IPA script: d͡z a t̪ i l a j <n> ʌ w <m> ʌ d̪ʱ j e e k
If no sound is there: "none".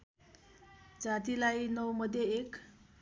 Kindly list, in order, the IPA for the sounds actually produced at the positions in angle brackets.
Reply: n, m

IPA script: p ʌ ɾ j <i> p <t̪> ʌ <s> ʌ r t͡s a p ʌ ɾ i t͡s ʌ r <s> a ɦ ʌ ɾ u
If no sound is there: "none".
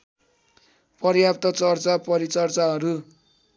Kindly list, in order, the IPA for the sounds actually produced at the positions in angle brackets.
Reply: a, t̪, t͡s, t͡s

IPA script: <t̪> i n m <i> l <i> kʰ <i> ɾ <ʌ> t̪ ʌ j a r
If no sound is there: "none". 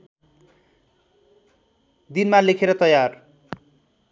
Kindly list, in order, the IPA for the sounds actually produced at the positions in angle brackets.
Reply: d̪, a, e, e, ʌ

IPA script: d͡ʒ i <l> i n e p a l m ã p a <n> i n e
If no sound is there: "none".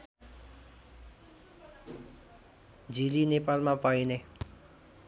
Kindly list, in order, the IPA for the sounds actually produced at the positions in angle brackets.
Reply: l, none

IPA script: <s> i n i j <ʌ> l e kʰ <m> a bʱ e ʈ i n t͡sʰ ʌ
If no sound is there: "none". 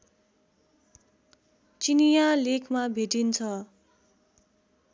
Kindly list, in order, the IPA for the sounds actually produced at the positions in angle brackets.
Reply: t͡s, a, m

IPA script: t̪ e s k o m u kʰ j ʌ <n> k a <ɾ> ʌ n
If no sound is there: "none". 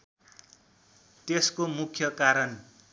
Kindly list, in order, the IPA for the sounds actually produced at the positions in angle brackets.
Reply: none, ɾ

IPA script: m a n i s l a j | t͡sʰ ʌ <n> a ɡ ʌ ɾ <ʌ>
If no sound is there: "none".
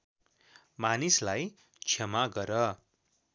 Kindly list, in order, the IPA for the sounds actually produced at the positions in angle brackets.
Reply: m, ʌ

